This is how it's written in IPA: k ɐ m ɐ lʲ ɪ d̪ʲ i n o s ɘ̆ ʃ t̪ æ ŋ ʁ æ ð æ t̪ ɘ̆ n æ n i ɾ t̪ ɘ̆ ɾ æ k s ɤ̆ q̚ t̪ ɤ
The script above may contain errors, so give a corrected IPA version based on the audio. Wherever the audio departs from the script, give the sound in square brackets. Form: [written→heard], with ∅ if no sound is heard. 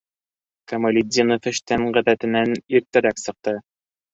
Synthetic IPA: k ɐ m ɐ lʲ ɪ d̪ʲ i n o [s→f] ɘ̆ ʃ t̪ æ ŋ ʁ æ ð æ t̪ ɘ̆ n æ n i ɾ t̪ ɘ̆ ɾ æ k s ɤ̆ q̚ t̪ ɤ